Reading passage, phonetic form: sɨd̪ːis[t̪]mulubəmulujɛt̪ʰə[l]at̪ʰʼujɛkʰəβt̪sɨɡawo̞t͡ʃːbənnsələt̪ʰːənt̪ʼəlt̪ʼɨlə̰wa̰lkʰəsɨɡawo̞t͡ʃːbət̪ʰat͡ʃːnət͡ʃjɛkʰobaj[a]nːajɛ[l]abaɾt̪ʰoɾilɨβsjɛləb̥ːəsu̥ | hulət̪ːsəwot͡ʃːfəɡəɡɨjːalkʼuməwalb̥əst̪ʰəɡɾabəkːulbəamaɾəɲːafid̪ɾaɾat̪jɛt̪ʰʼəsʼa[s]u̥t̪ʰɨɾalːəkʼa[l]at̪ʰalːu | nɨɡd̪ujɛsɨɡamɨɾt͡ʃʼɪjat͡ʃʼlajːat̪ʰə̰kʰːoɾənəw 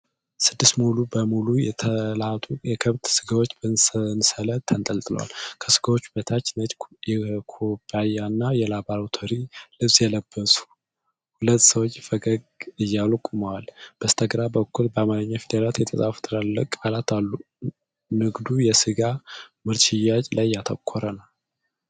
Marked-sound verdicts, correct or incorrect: correct, correct, correct, correct, incorrect: f, correct

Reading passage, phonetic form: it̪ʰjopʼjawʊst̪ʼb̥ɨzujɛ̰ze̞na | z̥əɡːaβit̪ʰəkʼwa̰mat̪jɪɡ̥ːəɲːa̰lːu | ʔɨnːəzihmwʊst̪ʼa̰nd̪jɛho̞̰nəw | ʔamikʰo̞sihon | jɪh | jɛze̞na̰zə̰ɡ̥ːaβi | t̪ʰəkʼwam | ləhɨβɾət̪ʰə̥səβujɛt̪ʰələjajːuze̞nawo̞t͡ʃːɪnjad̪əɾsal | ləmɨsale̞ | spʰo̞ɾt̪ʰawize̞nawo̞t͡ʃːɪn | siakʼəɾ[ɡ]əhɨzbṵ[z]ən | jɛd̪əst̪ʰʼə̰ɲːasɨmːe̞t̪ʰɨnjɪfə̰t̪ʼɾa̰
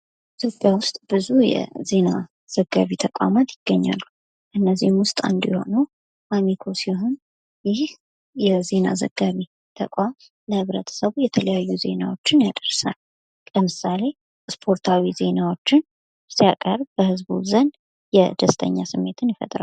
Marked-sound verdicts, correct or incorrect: incorrect: b, correct

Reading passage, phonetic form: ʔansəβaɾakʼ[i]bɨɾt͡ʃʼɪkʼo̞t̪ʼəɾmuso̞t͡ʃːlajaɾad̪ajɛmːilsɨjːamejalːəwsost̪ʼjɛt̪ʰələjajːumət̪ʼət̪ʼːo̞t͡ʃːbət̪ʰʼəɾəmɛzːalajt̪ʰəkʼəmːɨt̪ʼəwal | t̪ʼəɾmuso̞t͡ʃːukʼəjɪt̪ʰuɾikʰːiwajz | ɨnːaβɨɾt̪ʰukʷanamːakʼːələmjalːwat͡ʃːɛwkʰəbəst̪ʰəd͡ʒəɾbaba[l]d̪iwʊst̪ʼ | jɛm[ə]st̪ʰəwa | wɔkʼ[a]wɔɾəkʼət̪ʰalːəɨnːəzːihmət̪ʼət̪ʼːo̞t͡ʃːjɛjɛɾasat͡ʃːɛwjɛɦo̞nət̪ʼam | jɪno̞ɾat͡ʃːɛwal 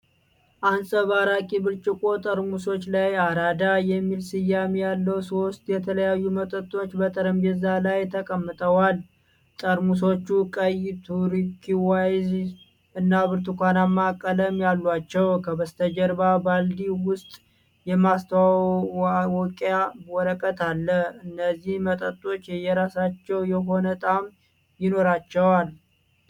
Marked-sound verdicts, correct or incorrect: correct, correct, incorrect: a, correct

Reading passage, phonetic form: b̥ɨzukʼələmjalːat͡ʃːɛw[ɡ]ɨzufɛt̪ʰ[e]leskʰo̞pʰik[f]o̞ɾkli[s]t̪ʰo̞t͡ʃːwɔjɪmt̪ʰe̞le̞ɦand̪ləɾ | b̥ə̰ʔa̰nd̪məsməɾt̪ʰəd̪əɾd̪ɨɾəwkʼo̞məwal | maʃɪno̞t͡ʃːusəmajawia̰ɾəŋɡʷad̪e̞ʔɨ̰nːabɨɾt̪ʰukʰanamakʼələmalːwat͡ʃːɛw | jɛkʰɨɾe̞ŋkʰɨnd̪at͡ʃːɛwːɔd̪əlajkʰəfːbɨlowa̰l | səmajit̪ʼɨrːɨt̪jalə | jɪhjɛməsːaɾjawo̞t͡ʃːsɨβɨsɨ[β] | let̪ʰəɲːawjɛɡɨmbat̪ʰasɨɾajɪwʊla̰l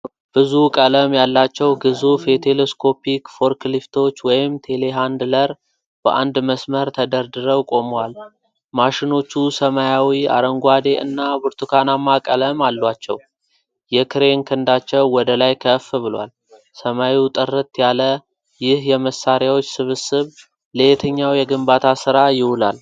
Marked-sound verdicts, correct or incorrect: correct, correct, correct, incorrect: f, correct

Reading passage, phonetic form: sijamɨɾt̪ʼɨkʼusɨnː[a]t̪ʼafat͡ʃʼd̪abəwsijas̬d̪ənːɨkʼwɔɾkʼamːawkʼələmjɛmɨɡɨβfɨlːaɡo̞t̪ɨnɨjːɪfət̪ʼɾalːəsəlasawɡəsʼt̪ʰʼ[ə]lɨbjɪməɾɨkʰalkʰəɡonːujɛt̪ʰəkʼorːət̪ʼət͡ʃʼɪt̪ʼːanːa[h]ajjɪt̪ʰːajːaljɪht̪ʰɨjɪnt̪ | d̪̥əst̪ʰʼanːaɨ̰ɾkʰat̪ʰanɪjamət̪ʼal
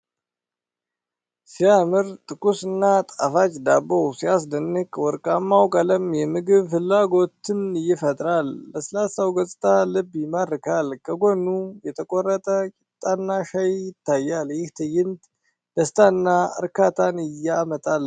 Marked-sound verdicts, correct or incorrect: correct, incorrect: a, incorrect: ʃ

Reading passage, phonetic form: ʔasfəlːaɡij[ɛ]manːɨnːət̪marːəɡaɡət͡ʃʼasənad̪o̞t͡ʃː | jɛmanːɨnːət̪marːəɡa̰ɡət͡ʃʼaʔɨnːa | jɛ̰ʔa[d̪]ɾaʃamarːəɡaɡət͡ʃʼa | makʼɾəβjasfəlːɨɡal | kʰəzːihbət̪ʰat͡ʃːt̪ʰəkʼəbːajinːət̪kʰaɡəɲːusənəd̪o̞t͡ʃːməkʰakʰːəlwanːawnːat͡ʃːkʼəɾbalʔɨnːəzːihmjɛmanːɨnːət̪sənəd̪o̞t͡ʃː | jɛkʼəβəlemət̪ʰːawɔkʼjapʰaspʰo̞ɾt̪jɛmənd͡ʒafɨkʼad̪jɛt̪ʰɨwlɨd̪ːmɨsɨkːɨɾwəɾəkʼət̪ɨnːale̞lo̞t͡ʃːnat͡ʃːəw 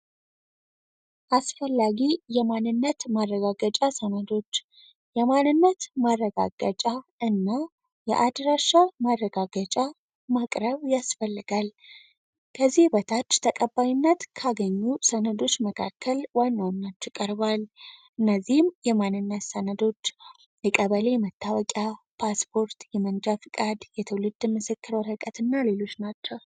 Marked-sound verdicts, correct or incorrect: correct, correct

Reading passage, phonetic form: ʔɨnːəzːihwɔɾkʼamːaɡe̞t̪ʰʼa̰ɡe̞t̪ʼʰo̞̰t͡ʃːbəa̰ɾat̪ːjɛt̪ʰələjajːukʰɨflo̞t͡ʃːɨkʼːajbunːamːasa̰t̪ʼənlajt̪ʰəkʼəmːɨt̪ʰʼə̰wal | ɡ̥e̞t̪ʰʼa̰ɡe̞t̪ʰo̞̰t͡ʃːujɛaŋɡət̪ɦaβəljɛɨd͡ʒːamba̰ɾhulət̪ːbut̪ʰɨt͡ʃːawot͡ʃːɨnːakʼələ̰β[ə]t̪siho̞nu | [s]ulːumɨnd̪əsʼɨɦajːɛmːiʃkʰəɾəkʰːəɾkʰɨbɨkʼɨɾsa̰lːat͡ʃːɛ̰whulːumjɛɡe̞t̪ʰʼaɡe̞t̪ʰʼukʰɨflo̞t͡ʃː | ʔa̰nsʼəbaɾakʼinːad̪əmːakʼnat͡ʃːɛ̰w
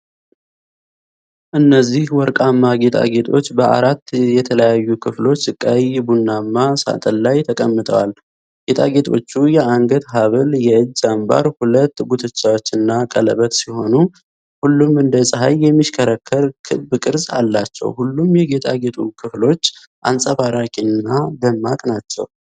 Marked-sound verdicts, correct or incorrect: correct, incorrect: h

